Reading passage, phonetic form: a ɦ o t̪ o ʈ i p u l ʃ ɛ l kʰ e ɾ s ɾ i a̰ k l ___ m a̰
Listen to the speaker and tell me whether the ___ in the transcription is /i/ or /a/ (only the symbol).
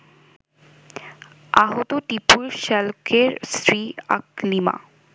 i